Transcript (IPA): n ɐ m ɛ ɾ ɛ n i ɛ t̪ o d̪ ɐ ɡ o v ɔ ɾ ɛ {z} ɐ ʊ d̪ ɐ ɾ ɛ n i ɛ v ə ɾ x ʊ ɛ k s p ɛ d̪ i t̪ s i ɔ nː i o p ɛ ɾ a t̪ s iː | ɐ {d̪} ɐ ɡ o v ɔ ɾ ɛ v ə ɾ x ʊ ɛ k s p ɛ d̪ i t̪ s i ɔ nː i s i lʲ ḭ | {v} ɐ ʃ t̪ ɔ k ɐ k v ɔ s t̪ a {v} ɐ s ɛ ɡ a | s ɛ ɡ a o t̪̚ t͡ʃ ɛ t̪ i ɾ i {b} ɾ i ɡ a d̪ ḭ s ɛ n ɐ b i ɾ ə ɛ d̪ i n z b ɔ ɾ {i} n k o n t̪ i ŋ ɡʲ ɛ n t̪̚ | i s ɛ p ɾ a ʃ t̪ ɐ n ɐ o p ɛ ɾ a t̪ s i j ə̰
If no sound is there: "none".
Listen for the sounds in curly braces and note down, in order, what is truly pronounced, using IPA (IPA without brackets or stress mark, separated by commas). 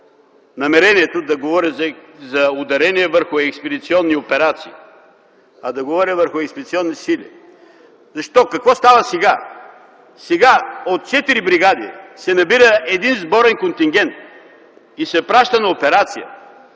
z, d̪, z, v, b, ɛ